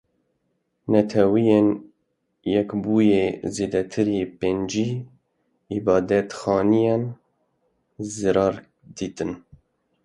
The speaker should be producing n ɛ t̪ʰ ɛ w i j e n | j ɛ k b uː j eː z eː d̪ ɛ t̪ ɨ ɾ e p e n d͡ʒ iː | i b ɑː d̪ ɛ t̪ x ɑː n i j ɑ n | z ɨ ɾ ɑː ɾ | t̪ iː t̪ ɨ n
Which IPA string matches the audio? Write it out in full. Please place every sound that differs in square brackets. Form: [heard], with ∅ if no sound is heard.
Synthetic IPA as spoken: n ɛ t̪ʰ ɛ w i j e n | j ɛ k b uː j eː z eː d̪ ɛ [t̪ʰ] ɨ ɾ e p e n d͡ʒ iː | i b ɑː d̪ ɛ t̪ x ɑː n i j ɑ n | z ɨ ɾ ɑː ɾ | [d̪] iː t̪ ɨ n